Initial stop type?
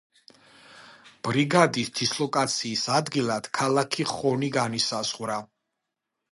plain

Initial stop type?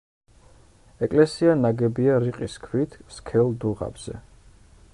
ejective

